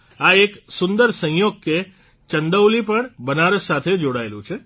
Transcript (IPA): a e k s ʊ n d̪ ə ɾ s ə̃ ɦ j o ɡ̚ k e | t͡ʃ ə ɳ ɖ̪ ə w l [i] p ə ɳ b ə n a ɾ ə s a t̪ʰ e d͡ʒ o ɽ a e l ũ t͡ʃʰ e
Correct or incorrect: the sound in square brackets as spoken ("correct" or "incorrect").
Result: correct